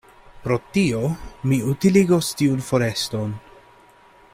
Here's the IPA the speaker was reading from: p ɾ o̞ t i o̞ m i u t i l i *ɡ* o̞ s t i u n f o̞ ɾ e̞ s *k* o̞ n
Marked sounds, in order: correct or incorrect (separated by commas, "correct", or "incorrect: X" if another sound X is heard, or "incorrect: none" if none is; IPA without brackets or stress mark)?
correct, incorrect: t